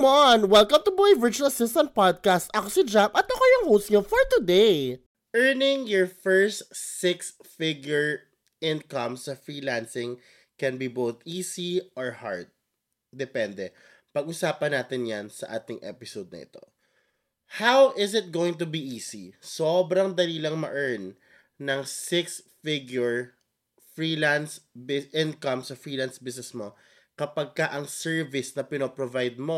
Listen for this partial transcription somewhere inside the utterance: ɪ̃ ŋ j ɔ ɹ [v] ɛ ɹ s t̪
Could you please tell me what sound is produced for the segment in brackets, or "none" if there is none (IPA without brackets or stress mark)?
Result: f